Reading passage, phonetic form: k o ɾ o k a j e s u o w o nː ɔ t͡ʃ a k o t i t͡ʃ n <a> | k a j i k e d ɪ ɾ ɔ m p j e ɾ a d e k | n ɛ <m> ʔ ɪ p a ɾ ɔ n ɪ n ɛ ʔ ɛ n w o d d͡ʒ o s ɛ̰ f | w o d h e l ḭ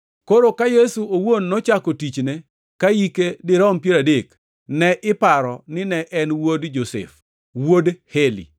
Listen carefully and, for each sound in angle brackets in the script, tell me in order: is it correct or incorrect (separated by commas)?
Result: incorrect, incorrect